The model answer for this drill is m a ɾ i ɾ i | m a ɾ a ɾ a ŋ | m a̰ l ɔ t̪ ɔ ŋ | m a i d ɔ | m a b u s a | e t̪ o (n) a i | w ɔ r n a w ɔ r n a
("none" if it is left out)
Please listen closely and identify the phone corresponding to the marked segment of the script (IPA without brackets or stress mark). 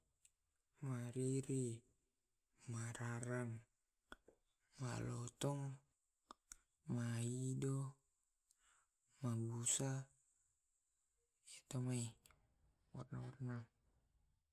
m